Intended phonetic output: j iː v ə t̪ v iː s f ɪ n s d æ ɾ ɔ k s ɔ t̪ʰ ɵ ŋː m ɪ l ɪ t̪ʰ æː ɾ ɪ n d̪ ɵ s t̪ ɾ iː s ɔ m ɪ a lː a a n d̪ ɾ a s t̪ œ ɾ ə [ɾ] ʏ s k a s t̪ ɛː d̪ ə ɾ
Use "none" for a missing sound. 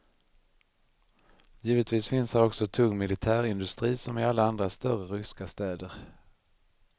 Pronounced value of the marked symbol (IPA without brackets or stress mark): ɾ